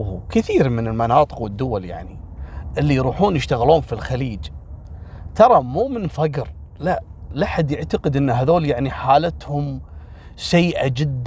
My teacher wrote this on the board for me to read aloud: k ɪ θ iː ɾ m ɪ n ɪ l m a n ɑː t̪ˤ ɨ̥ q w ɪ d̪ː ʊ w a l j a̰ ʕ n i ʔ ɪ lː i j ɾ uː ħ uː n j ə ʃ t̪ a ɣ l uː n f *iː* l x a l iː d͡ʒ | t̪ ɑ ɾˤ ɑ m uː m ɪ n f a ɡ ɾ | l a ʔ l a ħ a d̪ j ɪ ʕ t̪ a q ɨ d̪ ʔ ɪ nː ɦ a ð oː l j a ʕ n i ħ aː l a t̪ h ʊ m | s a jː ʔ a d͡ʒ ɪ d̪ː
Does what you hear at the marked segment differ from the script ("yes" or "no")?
yes